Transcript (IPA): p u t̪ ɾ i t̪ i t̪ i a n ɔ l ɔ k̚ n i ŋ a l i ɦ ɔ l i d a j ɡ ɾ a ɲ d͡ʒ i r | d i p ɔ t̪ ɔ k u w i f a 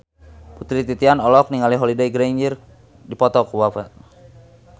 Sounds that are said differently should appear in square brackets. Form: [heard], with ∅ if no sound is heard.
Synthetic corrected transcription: p u t̪ ɾ i t̪ i t̪ i a n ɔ l ɔ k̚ n i ŋ a l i ɦ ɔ l i d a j ɡ ɾ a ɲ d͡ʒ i r | d i p ɔ t̪ ɔ k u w [a] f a